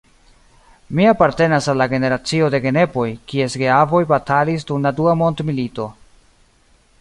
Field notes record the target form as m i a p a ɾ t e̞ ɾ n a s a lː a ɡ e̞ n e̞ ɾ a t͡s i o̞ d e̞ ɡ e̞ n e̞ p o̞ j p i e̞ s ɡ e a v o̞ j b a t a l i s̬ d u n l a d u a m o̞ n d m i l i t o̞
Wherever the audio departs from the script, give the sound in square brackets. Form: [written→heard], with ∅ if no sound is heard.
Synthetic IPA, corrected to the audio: m i a p a ɾ t e̞ [ɾ→∅] n a s a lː a ɡ e̞ n e̞ ɾ a t͡s i o̞ d e̞ ɡ e̞ n e̞ p o̞ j [p→k] i e̞ s ɡ e a v o̞ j b a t a l i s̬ d u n l a d u a m o̞ n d m i l i t o̞